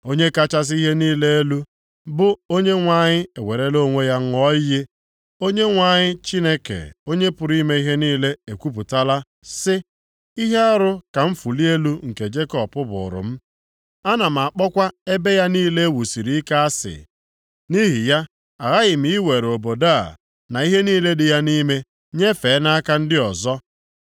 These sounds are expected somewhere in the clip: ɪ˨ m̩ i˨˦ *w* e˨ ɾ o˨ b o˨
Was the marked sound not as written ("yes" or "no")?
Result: no